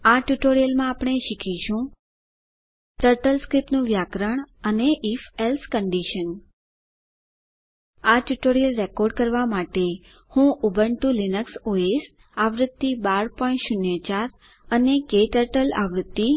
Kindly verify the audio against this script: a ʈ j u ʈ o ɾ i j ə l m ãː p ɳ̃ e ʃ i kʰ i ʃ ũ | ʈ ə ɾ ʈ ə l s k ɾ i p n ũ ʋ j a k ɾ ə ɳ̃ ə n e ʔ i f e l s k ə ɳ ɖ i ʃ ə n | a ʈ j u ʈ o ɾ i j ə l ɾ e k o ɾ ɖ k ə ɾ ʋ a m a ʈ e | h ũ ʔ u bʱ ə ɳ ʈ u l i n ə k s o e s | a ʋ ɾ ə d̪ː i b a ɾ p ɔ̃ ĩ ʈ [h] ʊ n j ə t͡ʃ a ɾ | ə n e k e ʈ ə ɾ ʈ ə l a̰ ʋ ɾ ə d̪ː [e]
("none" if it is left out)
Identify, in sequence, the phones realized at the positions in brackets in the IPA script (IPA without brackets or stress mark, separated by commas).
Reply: ʃ, i